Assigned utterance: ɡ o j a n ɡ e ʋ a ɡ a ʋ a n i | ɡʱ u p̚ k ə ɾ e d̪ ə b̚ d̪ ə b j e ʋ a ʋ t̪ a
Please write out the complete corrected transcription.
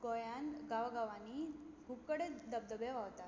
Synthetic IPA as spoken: ɡ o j a n ɡ a ʋ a ɡ a ʋ a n i | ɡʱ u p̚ k ə ɽ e d̪ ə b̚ d̪ ə b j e ʋ a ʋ t̪ a